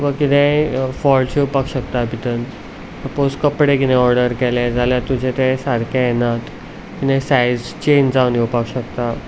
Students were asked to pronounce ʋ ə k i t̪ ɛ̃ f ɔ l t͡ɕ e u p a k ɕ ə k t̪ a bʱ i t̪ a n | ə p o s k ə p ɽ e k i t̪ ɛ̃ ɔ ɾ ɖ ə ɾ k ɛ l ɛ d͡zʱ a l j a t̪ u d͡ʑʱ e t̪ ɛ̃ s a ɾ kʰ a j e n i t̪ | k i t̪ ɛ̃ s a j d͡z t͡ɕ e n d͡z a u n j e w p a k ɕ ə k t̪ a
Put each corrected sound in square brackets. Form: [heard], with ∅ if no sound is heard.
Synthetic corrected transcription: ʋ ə k i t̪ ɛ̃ f ɔ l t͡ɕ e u p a k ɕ ə k t̪ a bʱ i t̪ [ə] n | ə p o s k ə p ɽ e k i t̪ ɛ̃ ɔ ɾ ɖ ə ɾ k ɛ l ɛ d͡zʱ a l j a t̪ u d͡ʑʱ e t̪ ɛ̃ s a ɾ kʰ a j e n [a] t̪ | k i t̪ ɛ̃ s a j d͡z t͡ɕ e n d͡z a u n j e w p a k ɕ ə k t̪ a

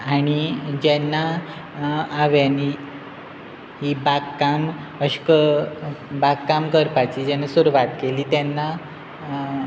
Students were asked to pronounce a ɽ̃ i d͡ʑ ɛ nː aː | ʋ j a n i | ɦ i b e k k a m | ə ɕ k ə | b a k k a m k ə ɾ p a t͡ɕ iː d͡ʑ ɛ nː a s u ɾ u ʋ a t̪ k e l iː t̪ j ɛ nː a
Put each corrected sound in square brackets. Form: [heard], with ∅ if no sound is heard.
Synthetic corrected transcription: a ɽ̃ i d͡ʑ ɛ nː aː | ʋ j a n i | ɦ i b [a] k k a m | ə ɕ k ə | b a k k a m k ə ɾ p a t͡ɕ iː d͡ʑ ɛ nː a s u ɾ u ʋ a t̪ k e l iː t̪ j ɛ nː a

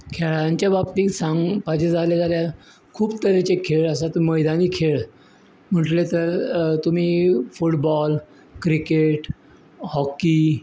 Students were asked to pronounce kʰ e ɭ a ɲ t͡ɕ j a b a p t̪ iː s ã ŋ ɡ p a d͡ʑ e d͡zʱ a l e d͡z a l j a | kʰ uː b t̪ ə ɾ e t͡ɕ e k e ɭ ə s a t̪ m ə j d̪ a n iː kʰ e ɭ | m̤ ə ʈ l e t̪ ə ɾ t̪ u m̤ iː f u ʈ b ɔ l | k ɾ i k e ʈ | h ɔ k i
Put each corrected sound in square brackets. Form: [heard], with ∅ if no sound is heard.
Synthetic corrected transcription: kʰ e ɭ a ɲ t͡ɕ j a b a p t̪ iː s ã ŋ ɡ p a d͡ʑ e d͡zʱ a l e d͡z a l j a | kʰ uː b t̪ ə ɾ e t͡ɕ e [kʰ] e ɭ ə s a t̪ m ə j d̪ a n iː kʰ e ɭ | m̤ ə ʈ l e t̪ ə ɾ t̪ u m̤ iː f u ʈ b ɔ l | k ɾ i k e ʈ | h ɔ k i

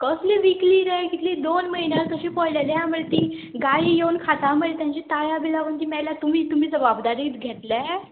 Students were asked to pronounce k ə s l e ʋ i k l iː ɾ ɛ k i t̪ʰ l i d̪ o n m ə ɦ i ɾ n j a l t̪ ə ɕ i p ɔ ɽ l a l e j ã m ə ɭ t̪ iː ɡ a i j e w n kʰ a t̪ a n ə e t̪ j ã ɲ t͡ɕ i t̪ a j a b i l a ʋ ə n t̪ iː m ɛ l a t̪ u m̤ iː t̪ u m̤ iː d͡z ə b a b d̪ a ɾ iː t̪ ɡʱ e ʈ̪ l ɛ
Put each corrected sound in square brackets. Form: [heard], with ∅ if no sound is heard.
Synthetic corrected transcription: k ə s l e ʋ i k l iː ɾ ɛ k i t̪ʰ l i d̪ o n m ə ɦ i [∅] n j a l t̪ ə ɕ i p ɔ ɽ l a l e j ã m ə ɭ t̪ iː ɡ a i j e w n kʰ a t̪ a [m] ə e t̪ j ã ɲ t͡ɕ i t̪ a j a b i l a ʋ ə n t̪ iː m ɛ l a t̪ u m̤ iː t̪ u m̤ iː d͡z ə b a b d̪ a ɾ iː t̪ ɡʱ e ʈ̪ l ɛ

